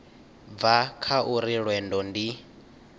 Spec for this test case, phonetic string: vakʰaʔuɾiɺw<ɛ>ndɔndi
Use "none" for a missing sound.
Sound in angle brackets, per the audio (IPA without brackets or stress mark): ɛ